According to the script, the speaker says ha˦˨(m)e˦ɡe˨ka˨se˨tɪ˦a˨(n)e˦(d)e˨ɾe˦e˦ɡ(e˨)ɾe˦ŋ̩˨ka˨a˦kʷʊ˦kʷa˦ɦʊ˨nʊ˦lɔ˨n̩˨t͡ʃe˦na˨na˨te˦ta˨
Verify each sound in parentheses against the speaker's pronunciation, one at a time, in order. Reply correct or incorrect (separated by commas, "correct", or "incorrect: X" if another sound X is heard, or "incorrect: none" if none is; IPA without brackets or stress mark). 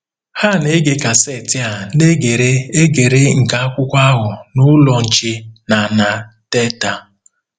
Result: incorrect: n, correct, incorrect: ɡ, correct